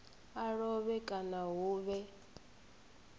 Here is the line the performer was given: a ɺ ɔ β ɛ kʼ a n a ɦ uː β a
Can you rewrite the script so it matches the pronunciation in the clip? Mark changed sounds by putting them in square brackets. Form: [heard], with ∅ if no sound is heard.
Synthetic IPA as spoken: a ɺ ɔ β ɛ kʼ a n a ɦ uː β [ɛ]